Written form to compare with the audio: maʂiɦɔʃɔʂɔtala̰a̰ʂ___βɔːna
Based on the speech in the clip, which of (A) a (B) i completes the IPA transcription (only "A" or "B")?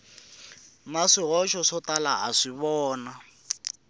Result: B